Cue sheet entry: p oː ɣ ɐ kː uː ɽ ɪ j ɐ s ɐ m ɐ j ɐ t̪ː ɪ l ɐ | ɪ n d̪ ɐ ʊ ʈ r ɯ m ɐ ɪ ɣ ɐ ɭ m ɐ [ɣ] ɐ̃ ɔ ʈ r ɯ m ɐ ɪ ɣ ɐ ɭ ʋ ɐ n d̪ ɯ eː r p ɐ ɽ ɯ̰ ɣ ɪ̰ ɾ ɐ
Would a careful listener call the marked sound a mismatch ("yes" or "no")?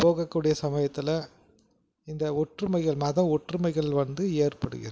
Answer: yes